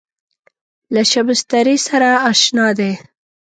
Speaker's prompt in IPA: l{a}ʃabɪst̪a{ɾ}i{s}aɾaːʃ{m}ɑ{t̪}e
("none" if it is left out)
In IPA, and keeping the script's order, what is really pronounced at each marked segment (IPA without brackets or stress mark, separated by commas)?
a, ɾ, s, n, d̪